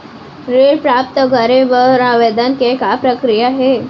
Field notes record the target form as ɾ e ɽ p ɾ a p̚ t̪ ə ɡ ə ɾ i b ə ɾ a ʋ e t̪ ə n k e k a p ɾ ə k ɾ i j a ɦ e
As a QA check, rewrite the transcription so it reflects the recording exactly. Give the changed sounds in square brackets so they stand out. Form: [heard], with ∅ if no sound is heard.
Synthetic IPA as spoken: ɾ e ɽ p ɾ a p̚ t̪ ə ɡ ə ɾ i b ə ɾ a ʋ e [d̪] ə n k e k a p ɾ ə k ɾ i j a ɦ e